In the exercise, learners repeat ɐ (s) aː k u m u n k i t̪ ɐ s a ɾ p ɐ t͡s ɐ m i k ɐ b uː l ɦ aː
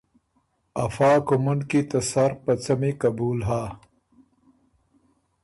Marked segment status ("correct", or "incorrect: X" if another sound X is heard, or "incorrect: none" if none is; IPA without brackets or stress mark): incorrect: f